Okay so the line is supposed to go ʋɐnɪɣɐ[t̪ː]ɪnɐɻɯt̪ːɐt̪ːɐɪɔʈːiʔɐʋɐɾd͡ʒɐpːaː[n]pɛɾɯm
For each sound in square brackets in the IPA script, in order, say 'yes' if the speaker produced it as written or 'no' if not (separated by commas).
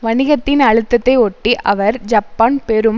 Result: yes, yes